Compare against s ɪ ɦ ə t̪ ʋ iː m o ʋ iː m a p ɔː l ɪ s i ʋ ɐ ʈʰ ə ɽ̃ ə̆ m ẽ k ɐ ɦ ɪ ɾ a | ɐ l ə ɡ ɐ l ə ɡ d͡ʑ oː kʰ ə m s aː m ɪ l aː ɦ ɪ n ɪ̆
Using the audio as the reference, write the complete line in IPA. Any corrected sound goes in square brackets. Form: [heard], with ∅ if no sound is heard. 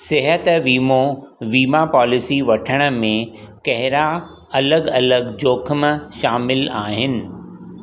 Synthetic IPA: s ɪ ɦ ə t̪ ʋ iː m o ʋ iː m a p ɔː l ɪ s i ʋ ɐ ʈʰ ə ɽ̃ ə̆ m ẽ k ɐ ɦ ɪ ɾ a | ɐ l ə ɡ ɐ l ə ɡ d͡ʑ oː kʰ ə m [ʃ] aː m ɪ l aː ɦ ɪ n ɪ̆

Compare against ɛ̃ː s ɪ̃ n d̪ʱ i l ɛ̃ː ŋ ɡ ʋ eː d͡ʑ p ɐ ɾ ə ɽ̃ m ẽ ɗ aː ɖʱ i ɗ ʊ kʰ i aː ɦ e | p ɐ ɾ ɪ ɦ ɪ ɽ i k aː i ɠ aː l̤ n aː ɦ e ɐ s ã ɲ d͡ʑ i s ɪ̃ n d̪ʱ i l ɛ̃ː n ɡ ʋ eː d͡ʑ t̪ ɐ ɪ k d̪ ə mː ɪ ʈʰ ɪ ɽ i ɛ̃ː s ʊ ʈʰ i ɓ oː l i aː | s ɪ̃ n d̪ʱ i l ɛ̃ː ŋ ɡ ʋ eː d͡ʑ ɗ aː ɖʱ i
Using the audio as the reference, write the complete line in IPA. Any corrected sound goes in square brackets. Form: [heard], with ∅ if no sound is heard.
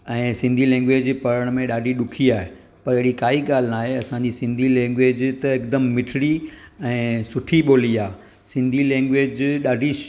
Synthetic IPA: ɛ̃ː s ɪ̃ n d̪ʱ i l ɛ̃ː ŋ ɡ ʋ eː d͡ʑ p ɐ ɾ ə ɽ̃ m ẽ ɗ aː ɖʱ i ɗ ʊ kʰ i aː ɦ e | p ɐ ɾ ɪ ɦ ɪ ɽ i k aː i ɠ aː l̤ n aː ɦ e ɐ s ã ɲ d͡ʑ i s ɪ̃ n d̪ʱ i l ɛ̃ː [ŋ] ɡ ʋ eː d͡ʑ t̪ ɐ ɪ k d̪ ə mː ɪ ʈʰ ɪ ɽ i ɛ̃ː s ʊ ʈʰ i ɓ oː l i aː | s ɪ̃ n d̪ʱ i l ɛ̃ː ŋ ɡ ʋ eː d͡ʑ ɗ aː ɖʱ i

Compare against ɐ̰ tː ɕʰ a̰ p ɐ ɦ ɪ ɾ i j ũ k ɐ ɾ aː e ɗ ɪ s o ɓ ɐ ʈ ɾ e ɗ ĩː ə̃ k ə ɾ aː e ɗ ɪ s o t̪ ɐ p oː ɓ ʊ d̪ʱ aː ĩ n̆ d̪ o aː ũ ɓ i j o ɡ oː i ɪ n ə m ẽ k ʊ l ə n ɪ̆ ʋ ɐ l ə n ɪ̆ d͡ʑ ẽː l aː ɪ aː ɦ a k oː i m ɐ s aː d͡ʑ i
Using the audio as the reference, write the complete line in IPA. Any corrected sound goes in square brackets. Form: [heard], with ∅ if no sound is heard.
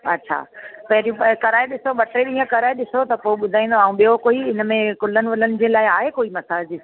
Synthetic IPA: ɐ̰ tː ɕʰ a̰ p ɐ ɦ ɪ ɾ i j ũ k ɐ ɾ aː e ɗ ɪ s o ɓ ɐ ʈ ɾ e ɗ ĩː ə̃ k [ɐ] ɾ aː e ɗ ɪ s o t̪ ɐ p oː ɓ ʊ d̪ʱ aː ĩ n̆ d̪ o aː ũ ɓ i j o [k] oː i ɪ n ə m ẽ k ʊ l ə n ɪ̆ ʋ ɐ l ə n ɪ̆ d͡ʑ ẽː l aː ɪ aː ɦ [e] k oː i m ɐ s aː d͡ʑ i

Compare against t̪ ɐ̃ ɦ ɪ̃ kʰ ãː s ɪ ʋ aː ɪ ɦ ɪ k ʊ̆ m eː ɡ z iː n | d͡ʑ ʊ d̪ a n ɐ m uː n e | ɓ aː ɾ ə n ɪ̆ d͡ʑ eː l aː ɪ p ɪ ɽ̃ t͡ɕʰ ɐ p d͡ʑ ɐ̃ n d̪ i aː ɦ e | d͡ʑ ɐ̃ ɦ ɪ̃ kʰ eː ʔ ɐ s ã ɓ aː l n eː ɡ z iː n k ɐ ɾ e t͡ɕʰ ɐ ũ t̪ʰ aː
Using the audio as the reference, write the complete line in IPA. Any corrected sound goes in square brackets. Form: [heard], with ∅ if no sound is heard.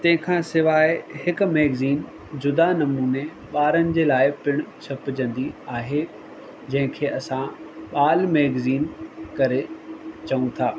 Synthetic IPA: t̪ ɐ̃ ɦ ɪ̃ kʰ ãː s ɪ ʋ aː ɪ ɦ ɪ k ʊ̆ m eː ɡ z iː n | d͡ʑ ʊ d̪ a n ɐ m uː n e | ɓ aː ɾ ə n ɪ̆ d͡ʑ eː l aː ɪ p ɪ ɽ̃ t͡ɕʰ ɐ p d͡ʑ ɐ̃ n d̪ i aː ɦ e | d͡ʑ ɐ̃ ɦ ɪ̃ kʰ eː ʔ ɐ s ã ɓ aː l [m] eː ɡ z iː n k ɐ ɾ e [t͡ɕ] ɐ ũ t̪ʰ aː

